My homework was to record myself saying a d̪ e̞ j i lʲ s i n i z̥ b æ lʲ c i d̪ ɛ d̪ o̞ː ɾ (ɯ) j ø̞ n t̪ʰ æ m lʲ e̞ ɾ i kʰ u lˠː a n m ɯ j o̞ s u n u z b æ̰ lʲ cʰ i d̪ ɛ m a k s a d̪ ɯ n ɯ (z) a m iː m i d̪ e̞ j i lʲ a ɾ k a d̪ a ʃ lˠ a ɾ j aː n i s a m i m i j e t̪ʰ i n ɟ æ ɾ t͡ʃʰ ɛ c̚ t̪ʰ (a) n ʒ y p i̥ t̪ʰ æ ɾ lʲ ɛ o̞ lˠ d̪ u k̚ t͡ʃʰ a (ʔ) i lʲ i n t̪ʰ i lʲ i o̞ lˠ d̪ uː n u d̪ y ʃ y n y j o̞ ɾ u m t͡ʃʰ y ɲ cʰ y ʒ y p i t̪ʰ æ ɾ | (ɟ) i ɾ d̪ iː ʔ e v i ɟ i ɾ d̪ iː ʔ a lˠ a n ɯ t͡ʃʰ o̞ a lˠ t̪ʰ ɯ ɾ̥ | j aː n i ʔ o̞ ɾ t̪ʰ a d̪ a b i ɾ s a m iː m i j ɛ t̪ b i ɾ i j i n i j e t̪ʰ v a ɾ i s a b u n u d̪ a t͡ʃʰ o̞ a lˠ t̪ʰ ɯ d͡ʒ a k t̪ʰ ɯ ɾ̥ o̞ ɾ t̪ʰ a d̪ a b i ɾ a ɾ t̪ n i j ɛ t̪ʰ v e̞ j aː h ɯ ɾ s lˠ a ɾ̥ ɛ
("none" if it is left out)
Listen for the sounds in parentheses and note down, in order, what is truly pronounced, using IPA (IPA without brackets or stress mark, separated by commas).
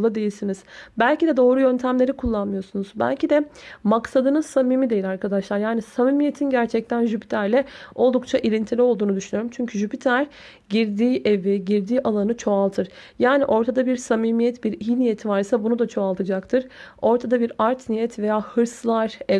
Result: u, s, æ, ʔ, ɟ